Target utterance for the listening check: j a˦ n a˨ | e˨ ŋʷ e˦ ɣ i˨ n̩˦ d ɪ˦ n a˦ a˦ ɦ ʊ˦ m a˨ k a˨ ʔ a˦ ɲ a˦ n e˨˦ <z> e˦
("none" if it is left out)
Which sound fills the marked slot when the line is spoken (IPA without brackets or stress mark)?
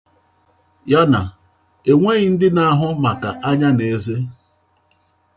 z